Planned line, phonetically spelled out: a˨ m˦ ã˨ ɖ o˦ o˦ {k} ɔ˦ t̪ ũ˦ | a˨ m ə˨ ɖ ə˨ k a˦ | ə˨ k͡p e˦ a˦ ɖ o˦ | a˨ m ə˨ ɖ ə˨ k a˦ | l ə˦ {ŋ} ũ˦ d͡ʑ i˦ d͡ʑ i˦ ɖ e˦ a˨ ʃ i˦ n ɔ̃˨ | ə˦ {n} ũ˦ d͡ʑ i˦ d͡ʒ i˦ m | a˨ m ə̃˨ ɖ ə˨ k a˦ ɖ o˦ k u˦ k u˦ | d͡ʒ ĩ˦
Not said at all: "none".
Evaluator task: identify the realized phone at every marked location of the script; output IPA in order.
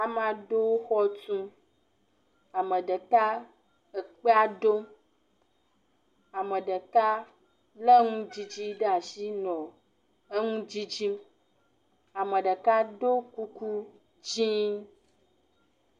x, ŋ, ŋ

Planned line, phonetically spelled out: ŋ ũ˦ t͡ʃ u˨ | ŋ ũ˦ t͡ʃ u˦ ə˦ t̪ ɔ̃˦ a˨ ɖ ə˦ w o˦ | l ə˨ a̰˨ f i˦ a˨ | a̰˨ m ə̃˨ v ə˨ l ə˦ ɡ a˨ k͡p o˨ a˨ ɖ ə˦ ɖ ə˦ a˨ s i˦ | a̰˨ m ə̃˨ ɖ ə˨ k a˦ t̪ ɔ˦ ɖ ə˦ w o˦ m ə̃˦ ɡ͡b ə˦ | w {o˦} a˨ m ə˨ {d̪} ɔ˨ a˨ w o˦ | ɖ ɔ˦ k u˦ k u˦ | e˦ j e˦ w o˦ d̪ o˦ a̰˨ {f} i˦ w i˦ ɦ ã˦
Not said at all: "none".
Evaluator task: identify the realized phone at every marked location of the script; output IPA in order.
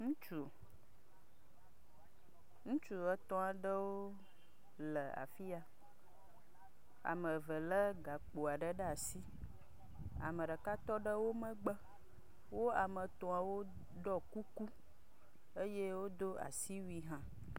o˦, t̪, s

